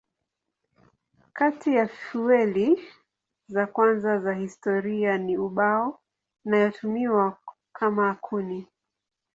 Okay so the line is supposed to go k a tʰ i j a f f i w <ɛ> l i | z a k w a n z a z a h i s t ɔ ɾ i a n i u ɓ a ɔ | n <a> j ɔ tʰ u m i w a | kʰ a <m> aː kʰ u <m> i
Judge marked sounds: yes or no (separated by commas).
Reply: yes, yes, yes, no